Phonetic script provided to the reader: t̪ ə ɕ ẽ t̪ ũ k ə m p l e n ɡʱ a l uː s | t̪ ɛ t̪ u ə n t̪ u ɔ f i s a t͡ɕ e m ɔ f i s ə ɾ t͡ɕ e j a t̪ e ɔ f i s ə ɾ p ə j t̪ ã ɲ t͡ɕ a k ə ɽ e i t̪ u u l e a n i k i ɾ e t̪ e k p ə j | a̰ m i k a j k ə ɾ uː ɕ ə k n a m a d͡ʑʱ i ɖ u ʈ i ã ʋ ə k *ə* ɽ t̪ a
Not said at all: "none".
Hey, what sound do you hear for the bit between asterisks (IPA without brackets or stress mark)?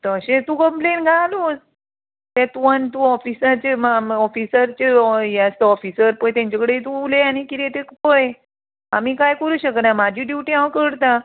ə